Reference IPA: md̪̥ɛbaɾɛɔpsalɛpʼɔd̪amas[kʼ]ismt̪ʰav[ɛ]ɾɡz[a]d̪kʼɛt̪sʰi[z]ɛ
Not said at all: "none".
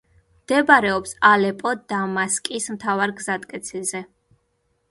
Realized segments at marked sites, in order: kʼ, a, a, z

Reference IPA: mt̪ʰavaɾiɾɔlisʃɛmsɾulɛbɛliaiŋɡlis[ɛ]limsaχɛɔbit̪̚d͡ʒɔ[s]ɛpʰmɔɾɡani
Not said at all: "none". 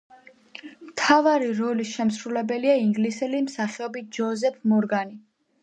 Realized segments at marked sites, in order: ɛ, z

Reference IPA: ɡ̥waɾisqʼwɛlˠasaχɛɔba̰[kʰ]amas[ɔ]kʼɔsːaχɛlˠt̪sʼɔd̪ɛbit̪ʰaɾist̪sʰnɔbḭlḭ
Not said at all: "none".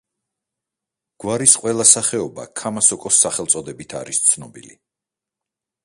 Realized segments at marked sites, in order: kʰ, ɔ

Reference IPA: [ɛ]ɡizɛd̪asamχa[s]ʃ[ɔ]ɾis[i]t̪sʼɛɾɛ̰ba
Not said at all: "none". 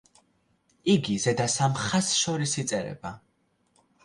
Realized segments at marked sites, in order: i, s, ɔ, i

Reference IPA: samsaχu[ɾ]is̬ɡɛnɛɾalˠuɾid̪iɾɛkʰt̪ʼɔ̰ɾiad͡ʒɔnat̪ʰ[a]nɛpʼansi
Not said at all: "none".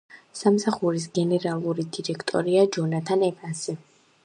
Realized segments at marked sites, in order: ɾ, a

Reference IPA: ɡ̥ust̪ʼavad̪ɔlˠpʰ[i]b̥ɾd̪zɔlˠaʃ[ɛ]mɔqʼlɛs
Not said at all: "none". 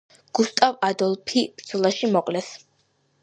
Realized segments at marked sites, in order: i, i

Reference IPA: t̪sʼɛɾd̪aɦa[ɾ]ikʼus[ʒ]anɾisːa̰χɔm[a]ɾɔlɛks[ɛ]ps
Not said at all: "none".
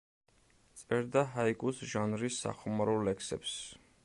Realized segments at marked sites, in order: none, ʒ, a, ɛ

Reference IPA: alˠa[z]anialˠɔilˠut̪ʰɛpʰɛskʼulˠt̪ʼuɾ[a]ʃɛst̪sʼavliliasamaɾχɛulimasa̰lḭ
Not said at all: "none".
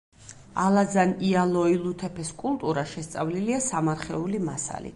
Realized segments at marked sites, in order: z, a

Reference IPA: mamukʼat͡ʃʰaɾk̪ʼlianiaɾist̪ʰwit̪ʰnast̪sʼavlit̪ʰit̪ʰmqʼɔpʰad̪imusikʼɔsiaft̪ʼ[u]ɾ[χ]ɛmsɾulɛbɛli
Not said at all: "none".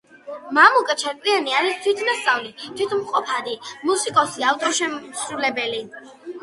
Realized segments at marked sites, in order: ɔ, ʃ

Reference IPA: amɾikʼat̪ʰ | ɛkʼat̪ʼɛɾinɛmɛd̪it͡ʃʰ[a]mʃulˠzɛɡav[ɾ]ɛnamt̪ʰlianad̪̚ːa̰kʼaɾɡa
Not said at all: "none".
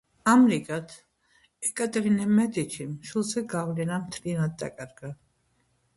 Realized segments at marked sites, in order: i, l

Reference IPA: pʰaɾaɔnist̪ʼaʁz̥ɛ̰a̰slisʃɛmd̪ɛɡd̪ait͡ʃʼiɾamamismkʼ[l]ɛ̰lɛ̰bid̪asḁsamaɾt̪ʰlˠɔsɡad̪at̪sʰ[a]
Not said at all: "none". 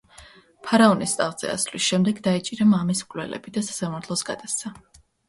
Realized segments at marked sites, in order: l, a

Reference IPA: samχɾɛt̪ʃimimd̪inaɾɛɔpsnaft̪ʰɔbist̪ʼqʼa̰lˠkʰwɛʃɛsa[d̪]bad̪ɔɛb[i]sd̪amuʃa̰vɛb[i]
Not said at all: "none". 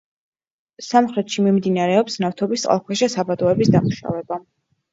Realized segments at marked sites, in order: none, i, a

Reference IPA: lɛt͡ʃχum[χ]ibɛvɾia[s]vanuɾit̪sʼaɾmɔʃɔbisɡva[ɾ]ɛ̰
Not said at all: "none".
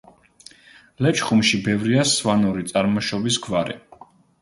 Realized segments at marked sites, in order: ʃ, s, ɾ

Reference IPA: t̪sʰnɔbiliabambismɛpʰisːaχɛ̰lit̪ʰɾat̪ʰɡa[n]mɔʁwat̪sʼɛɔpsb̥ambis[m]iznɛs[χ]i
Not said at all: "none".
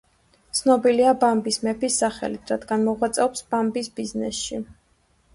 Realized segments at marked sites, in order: n, b, ʃ

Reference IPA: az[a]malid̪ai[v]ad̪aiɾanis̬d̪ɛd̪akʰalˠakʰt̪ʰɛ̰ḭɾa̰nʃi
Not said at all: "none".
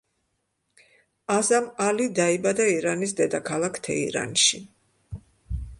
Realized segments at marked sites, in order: a, b

